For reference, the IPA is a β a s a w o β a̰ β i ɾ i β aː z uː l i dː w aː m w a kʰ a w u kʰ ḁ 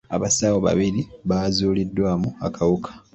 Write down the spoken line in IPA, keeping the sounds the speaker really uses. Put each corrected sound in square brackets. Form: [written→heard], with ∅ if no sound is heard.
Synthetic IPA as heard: a β a s a w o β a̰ β i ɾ i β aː z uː l i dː w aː m [w→u] a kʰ a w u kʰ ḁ